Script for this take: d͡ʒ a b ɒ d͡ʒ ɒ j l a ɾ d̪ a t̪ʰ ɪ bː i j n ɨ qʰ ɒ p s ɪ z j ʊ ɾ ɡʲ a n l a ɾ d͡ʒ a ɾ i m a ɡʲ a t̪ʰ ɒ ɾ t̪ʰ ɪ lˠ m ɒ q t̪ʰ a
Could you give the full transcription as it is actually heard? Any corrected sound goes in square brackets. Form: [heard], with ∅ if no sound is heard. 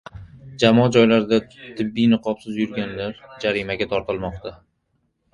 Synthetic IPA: d͡ʒ a [m] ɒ d͡ʒ ɒ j l a ɾ d̪ a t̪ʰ ɪ bː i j n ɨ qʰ ɒ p s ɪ z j ʊ ɾ ɡʲ a n l a ɾ d͡ʒ a ɾ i m a ɡʲ a t̪ʰ ɒ ɾ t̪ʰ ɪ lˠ m ɒ q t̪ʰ a